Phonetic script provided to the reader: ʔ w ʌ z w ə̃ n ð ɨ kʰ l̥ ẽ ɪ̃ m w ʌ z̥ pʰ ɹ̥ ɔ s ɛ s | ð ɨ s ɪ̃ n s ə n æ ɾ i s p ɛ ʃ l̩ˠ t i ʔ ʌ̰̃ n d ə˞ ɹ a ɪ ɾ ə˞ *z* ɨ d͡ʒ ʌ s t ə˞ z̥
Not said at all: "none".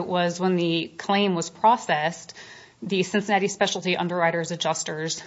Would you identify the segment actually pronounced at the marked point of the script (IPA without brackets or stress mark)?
z